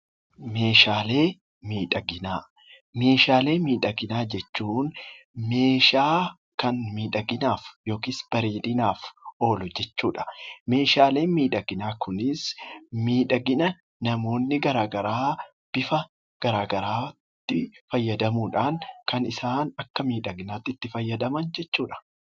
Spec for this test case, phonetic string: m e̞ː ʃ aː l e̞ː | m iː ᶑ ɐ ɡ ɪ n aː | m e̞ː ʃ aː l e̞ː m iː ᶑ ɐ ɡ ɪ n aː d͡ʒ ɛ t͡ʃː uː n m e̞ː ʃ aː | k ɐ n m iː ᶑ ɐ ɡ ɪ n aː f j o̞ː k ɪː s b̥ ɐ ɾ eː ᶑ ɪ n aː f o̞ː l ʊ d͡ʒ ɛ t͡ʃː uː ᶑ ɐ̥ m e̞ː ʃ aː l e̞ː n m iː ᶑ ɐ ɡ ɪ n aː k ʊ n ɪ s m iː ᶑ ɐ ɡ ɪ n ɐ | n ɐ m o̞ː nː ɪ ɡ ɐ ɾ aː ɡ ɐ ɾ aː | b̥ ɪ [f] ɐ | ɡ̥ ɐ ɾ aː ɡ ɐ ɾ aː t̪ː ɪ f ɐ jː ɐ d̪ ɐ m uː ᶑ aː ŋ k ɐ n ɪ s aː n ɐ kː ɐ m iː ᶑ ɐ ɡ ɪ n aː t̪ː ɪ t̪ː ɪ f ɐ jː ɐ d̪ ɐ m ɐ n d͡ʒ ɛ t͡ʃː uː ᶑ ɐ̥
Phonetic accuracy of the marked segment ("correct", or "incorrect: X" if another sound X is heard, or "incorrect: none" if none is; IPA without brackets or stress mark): correct